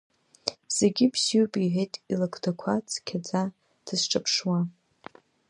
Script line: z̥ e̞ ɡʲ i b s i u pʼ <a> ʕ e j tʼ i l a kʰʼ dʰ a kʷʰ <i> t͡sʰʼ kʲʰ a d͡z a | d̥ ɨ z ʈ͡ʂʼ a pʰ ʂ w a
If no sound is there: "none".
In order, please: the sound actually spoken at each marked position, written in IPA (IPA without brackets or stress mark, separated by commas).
i, a